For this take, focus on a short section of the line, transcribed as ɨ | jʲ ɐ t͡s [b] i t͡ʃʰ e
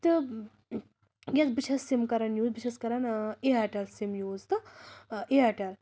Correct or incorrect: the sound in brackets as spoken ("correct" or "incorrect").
correct